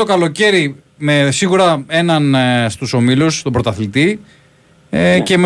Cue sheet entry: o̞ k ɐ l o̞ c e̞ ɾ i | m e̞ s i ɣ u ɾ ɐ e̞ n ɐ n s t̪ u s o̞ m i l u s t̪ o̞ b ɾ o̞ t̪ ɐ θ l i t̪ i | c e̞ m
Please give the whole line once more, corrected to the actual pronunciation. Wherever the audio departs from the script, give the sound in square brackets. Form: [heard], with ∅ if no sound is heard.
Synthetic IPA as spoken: o̞ k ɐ l o̞ c e̞ ɾ i | m e̞ s i ɣ u ɾ ɐ e̞ n ɐ n s t̪ u s o̞ m i l u s t̪ o̞ b ɾ o̞ t̪ ɐ θ l i t̪ i | c e̞ m